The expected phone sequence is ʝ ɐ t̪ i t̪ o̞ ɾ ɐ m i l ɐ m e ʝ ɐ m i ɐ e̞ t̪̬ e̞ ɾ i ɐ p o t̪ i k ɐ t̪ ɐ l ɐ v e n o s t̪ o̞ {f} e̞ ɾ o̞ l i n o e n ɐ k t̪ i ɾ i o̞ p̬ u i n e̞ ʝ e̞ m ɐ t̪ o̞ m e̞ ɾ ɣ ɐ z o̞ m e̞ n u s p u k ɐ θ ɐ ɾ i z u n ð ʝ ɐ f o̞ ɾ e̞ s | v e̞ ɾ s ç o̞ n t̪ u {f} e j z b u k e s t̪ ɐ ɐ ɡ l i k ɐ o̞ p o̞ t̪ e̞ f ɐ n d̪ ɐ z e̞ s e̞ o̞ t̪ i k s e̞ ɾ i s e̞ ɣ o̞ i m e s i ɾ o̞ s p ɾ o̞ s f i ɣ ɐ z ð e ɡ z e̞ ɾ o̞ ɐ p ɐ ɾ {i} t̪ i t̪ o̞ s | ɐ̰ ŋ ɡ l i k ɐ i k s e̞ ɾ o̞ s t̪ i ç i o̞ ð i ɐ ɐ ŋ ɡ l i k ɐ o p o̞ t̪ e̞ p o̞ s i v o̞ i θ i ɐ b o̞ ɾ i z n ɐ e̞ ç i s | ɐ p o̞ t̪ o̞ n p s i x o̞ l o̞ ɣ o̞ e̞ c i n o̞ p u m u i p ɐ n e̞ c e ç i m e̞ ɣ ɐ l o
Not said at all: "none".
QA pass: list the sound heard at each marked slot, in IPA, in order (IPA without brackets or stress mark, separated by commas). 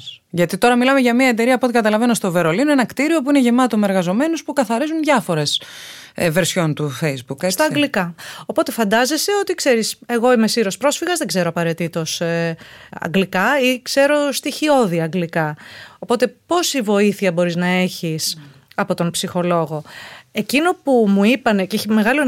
v, f, e